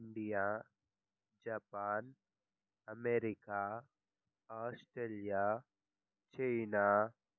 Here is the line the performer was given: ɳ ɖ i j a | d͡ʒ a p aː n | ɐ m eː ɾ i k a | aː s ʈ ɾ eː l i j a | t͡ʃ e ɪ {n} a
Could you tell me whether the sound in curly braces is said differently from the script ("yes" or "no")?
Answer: no